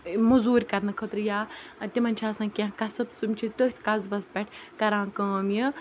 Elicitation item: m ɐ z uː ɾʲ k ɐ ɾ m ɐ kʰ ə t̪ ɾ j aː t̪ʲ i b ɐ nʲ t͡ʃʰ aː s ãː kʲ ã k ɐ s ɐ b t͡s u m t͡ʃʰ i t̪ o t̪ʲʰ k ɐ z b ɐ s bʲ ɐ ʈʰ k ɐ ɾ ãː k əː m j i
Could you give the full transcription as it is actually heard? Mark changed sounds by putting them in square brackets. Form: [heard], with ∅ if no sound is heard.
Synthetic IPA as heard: m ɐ z uː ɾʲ k ɐ ɾ [n] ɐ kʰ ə t̪ ɾ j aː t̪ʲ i [m] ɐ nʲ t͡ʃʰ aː s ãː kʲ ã k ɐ s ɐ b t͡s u m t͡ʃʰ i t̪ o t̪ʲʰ k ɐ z b ɐ s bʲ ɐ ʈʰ k ɐ ɾ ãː k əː m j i